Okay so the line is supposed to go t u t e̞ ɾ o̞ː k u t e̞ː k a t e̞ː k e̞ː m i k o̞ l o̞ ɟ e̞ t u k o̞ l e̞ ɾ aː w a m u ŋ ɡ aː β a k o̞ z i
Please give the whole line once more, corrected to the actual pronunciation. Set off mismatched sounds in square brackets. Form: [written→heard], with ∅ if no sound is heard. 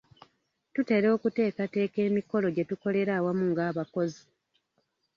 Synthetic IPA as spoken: t u t e̞ ɾ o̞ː k u t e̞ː k a t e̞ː k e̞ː m i k o̞ l o̞ ɟ e̞ t u k o̞ l e̞ ɾ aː w a m u ŋ ɡ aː β a k o̞ z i